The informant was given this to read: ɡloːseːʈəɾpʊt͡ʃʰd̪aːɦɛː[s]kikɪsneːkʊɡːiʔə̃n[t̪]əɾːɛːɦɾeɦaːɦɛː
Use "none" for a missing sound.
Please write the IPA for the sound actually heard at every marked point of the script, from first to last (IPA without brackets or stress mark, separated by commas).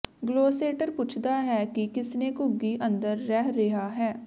none, d̪